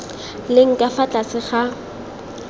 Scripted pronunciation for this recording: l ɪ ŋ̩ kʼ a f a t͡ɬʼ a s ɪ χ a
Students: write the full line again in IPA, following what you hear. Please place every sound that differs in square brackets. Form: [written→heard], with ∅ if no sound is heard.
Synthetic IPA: l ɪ ŋ̩ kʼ a f a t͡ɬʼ a s ɪ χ a